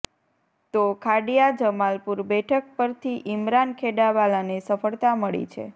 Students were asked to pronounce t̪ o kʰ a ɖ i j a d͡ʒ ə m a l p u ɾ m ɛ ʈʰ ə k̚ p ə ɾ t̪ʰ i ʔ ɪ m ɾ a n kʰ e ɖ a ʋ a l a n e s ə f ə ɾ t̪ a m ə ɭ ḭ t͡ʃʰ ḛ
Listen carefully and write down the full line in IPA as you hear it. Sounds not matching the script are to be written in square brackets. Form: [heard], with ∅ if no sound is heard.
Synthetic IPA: t̪ o kʰ a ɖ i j a d͡ʒ ə m a l p u ɾ [b] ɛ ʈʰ ə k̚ p ə ɾ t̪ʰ i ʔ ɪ m ɾ a n kʰ e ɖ a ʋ a l a n e s ə f ə [ɭ] t̪ a m ə ɭ ḭ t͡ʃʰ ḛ